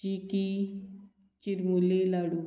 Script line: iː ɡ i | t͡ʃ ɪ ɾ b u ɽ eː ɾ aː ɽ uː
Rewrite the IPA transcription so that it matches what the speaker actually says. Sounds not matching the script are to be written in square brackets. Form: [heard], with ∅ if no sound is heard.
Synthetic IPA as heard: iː [k] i | t͡ʃ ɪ ɾ [m] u [l] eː [l] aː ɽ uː